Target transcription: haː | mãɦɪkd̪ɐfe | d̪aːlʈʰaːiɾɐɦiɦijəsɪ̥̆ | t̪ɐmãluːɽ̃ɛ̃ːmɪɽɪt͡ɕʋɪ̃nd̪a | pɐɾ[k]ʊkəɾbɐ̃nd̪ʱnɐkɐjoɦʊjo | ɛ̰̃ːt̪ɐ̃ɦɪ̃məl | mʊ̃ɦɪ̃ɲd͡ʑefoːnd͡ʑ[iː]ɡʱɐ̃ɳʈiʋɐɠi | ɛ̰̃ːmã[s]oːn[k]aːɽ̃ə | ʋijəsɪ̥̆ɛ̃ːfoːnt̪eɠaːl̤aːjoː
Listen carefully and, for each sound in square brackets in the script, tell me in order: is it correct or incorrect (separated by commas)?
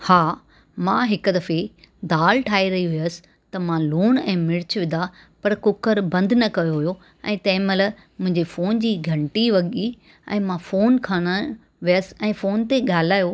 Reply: correct, correct, incorrect, incorrect